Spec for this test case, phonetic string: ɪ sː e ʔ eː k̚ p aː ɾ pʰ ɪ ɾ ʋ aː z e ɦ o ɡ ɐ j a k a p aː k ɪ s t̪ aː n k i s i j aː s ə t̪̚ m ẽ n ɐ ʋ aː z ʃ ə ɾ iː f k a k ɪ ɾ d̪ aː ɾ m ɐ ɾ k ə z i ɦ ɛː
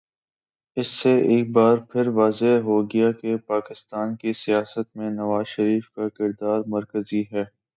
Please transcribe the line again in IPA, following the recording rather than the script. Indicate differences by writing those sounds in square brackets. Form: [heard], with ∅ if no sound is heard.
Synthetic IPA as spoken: ɪ sː e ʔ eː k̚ [b] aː ɾ pʰ ɪ ɾ ʋ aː z e ɦ o ɡ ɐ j a k [e] p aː k ɪ s t̪ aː n k i s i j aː s ə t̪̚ m ẽ n ɐ ʋ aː z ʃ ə ɾ iː f k a k ɪ ɾ d̪ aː ɾ m ɐ ɾ k ə z i ɦ ɛː